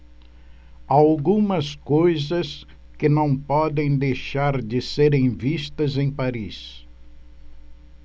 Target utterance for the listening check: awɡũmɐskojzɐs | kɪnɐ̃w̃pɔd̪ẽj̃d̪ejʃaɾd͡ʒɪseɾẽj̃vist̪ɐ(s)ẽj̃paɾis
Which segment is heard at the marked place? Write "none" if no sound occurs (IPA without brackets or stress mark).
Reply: z